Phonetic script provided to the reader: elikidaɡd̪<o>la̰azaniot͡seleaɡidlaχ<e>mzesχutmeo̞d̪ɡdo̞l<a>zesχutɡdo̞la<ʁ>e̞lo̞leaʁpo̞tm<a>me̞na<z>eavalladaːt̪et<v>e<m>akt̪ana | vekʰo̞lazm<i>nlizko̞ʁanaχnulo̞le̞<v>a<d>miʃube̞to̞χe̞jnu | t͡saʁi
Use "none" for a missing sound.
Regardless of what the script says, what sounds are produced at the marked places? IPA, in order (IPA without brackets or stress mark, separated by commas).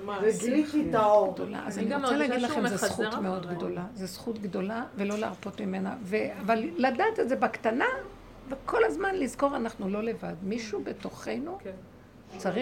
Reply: o, e, a, v, i, v, z, b, a, v, d